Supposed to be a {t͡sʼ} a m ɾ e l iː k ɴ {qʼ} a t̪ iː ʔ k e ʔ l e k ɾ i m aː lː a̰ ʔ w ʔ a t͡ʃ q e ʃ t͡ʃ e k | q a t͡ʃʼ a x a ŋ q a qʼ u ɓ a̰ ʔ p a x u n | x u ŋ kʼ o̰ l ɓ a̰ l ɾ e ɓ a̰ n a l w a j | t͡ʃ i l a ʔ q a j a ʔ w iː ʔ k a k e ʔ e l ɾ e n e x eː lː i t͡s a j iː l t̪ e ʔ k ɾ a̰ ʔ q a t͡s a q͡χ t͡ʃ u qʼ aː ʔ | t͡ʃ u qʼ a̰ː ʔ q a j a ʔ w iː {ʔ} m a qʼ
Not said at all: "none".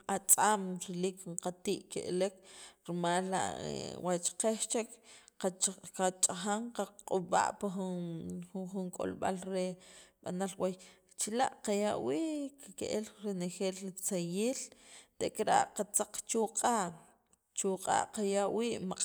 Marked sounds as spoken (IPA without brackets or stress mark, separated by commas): t͡sʼ, q, ʔ